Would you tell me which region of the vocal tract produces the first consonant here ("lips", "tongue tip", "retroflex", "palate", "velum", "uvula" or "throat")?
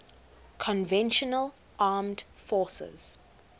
velum